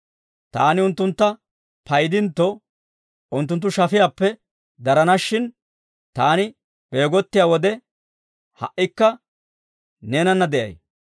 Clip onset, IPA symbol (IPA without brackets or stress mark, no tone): t̪